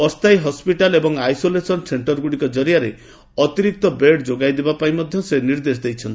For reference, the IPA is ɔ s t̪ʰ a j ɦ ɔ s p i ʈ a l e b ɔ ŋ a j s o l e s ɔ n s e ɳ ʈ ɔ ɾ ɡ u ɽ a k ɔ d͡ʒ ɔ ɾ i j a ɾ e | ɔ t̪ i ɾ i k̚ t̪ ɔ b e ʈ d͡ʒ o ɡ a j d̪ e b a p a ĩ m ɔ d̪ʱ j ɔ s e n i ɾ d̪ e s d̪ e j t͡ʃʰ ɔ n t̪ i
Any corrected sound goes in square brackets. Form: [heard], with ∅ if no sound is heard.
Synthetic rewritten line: ɔ s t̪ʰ a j ɦ ɔ s p i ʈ a l e b ɔ ŋ a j s o l e s ɔ n s e ɳ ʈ ɔ ɾ ɡ u ɽ [i] k ɔ d͡ʒ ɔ ɾ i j a ɾ e | ɔ t̪ i ɾ i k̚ t̪ ɔ b e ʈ d͡ʒ o ɡ a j d̪ e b a p a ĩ m ɔ d̪ʱ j ɔ s e n i ɾ d̪ e s d̪ e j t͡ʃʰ ɔ n t̪ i